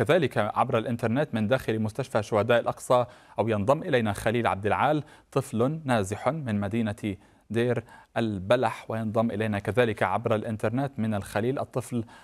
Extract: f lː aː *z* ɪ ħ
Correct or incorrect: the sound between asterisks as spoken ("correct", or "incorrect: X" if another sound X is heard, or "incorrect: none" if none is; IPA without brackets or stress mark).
correct